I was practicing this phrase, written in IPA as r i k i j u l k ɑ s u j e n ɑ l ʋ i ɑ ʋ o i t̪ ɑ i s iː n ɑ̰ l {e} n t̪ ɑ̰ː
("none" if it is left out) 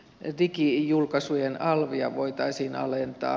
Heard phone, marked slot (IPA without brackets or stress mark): e